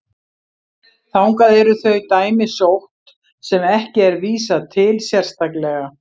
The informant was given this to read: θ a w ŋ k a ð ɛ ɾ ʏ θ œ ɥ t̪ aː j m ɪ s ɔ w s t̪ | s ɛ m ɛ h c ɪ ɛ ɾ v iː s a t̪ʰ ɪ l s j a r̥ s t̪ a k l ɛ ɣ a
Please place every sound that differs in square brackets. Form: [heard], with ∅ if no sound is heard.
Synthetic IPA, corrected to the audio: θ a w ŋ k a ð ɛ ɾ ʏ θ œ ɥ t̪ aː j m ɪ s [o] w [h] t̪ | s ɛ m ɛ h c ɪ ɛ ɾ v iː s a t̪ʰ ɪ l s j [ɛ] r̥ s t̪ a k l ɛ ɣ a